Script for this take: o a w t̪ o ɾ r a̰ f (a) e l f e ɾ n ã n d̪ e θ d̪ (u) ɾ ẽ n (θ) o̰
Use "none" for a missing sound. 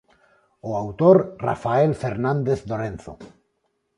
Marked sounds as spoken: a, o, θ

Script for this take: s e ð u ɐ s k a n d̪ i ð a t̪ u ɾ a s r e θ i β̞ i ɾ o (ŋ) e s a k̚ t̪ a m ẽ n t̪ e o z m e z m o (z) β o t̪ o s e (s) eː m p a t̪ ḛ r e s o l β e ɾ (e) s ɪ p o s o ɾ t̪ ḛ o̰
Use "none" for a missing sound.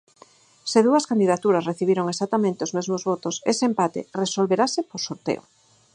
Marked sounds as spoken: ŋ, z, s, a

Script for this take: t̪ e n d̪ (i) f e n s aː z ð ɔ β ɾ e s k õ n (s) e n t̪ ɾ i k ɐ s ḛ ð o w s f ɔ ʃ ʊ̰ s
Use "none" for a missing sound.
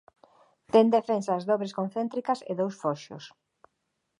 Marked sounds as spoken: e, θ

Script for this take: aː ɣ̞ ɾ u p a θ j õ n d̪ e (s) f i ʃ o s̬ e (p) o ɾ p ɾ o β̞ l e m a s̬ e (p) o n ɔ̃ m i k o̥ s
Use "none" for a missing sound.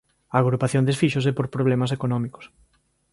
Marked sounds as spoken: s, p, k

